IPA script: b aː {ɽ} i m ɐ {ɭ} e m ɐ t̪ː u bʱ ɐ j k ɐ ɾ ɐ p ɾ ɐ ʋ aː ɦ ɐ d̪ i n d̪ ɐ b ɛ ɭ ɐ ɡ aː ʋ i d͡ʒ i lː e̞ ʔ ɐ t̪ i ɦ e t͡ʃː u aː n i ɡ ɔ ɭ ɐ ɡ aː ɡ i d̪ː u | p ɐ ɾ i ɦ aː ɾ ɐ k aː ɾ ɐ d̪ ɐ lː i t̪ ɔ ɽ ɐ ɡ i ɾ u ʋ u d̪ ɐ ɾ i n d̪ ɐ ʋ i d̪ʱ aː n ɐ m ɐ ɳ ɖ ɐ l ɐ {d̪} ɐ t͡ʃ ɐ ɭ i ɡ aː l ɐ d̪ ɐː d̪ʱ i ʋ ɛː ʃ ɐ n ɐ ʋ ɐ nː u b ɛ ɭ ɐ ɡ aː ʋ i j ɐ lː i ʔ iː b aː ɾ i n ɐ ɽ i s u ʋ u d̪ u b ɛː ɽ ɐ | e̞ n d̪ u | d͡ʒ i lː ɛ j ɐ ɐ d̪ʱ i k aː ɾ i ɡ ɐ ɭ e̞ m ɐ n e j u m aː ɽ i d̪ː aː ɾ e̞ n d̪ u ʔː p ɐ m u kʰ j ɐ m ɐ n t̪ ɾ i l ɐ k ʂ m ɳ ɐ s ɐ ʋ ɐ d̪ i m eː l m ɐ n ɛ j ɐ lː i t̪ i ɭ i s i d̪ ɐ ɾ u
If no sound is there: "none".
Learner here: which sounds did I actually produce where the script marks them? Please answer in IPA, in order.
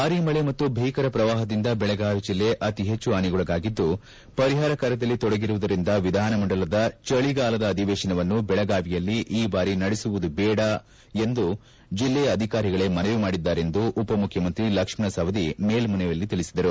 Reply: ɾ, ɭ, d̪

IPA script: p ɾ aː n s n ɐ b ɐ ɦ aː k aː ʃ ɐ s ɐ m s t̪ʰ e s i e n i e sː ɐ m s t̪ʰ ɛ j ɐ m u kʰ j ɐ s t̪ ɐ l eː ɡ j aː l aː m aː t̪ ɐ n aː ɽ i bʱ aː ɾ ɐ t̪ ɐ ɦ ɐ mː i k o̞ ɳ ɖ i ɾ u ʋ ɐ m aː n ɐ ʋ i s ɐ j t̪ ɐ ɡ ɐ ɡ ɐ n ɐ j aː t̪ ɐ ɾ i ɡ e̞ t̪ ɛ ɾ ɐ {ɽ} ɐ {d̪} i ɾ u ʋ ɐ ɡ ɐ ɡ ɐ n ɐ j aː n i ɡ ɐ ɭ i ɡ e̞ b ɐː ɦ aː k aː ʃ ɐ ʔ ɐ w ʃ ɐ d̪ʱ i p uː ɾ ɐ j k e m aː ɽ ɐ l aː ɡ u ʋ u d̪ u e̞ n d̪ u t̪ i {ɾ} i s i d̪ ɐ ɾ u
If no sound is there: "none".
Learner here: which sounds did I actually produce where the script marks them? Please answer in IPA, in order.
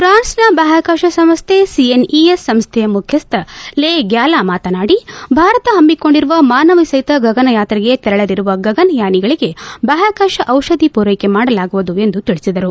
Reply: ɭ, d̪, ɭ

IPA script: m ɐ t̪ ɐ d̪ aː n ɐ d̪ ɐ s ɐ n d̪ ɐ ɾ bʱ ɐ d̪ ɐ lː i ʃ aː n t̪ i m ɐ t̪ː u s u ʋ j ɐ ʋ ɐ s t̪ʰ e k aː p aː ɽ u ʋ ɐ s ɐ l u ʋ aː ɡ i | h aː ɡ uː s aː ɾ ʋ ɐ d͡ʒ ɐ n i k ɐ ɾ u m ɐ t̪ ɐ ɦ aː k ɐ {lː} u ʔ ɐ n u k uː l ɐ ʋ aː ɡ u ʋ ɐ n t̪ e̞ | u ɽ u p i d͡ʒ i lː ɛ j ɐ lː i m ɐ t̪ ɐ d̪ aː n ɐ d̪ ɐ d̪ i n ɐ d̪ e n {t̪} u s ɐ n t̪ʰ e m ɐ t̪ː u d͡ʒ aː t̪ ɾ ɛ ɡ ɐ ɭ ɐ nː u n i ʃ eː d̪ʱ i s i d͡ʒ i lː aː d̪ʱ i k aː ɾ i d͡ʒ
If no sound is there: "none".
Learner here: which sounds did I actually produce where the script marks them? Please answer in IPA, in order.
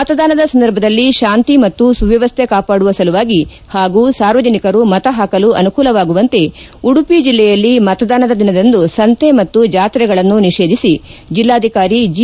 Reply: l, d̪

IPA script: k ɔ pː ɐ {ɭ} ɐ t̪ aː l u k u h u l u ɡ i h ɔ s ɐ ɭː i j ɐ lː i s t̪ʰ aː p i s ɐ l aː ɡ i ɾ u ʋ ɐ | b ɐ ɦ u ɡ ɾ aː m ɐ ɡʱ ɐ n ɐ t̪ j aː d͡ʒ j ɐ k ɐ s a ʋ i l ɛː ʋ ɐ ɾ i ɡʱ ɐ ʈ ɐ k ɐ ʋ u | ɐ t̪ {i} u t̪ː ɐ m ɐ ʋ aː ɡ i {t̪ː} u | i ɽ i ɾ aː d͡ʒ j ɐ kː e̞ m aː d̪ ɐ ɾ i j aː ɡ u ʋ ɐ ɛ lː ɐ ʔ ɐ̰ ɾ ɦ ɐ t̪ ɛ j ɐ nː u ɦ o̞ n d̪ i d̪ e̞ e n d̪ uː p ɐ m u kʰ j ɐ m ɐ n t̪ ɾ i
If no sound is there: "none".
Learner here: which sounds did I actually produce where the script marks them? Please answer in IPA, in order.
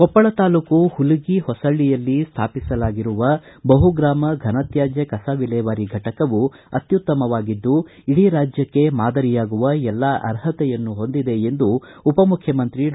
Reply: ɭ, j, d̪ː

